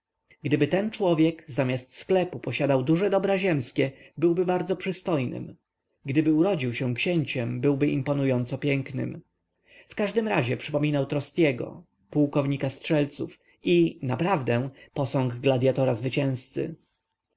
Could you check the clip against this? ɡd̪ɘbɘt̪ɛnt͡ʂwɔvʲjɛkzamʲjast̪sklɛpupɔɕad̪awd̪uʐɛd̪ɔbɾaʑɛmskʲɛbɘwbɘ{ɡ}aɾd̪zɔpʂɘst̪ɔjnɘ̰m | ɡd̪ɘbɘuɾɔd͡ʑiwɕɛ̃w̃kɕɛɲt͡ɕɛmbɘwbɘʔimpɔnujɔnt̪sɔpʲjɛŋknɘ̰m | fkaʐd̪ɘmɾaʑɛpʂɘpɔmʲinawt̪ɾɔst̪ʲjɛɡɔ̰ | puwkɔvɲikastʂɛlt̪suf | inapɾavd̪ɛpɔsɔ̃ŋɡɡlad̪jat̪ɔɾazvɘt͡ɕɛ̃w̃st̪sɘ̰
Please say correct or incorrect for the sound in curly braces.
incorrect